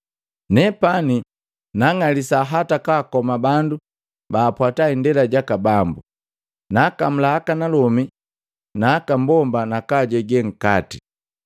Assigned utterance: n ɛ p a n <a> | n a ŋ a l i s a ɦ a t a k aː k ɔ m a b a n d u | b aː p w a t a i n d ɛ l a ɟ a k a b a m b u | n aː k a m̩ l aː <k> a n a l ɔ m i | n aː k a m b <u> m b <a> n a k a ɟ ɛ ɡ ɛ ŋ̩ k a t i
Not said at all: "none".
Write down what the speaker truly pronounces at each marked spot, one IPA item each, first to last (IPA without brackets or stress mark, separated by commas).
i, k, ɔ, a